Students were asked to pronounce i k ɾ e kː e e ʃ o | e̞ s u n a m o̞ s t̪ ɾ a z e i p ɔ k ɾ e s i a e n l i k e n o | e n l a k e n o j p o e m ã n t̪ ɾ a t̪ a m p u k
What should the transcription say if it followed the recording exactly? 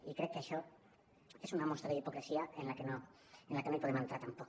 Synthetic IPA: i k ɾ e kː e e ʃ o | e̞ s u n a m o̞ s t̪ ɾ a ð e i p o k ɾ e s i a e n l a k e n o | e n l a k e n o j p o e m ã n t̪ ɾ a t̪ a m p o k